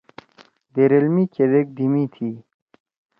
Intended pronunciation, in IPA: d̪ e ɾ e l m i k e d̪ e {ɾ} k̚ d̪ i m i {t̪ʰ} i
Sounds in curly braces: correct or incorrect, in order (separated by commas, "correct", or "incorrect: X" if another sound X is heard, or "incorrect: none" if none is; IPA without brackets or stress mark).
incorrect: none, correct